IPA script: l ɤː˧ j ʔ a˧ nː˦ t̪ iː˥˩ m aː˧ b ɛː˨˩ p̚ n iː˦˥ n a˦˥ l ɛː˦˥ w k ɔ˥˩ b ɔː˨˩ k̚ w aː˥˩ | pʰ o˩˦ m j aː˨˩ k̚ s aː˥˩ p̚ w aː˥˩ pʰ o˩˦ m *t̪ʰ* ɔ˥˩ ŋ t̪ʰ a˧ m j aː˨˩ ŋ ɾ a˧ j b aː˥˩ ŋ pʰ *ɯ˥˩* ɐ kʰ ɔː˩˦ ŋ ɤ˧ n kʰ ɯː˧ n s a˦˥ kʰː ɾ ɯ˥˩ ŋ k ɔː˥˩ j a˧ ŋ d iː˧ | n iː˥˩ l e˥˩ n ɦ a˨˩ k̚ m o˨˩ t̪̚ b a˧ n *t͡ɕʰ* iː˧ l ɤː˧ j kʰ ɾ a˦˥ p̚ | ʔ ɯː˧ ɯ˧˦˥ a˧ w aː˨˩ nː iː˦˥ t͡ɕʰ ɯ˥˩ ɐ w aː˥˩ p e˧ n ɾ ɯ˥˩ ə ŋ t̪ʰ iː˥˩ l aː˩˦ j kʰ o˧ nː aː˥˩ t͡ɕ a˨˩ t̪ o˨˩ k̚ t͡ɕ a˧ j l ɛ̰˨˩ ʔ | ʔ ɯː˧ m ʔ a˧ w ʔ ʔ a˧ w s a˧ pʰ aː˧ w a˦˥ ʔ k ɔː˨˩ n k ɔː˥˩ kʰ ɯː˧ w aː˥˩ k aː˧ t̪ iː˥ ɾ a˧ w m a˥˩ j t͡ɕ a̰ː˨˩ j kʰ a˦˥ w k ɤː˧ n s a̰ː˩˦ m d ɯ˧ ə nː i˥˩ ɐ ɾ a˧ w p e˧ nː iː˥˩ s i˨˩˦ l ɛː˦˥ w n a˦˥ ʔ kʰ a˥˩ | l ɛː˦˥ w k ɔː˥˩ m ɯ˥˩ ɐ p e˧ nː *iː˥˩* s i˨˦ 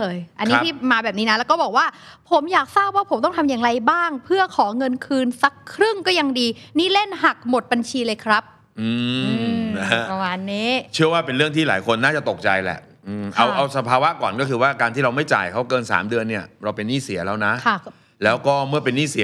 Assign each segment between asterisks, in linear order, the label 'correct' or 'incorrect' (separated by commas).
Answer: incorrect, correct, correct, correct